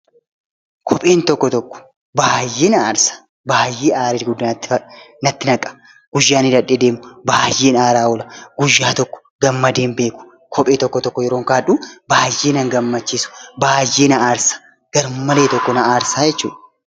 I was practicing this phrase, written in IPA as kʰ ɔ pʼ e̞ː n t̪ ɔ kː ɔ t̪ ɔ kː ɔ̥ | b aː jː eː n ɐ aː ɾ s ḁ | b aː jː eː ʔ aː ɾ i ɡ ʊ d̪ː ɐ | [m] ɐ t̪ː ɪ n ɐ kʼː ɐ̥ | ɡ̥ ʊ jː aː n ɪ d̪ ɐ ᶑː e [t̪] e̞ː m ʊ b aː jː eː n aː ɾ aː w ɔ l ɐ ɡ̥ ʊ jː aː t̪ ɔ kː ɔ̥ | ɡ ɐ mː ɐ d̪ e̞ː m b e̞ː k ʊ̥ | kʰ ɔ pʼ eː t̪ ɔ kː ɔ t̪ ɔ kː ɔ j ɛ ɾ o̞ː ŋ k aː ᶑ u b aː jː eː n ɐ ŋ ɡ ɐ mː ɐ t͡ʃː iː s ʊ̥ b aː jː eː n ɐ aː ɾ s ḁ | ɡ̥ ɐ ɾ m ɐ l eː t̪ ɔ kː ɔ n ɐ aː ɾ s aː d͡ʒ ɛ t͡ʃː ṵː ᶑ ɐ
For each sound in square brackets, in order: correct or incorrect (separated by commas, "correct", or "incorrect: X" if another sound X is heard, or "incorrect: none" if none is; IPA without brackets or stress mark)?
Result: incorrect: n, incorrect: d̪